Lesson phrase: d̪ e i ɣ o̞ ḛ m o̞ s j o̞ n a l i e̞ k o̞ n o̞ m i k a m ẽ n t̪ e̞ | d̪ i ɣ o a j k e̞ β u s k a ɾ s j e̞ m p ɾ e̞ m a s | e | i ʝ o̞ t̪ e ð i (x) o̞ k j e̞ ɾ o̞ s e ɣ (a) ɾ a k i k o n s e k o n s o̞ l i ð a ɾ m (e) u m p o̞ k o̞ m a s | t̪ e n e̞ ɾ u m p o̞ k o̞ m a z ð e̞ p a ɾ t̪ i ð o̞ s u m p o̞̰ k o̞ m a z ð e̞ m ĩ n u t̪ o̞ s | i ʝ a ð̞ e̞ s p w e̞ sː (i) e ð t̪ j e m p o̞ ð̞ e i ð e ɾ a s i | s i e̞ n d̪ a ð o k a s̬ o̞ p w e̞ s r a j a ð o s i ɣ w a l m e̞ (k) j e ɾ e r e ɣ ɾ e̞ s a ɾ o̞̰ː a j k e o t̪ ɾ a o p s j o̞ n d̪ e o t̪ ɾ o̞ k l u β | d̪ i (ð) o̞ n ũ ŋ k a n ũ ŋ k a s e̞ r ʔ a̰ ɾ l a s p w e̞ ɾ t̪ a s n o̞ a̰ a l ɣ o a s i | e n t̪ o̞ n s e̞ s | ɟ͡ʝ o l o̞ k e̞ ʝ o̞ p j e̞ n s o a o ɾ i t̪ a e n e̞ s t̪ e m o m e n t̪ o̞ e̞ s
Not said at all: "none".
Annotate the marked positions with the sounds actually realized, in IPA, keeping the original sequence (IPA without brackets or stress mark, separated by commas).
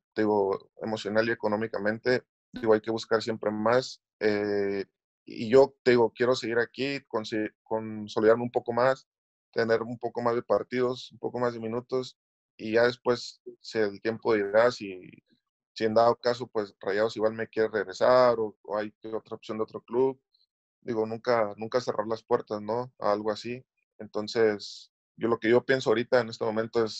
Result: ɣ, i, e, e, k, ɣ